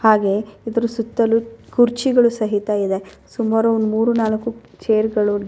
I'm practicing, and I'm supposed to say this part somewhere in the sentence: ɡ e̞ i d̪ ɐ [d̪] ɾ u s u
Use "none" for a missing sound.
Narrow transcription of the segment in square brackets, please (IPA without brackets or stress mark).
none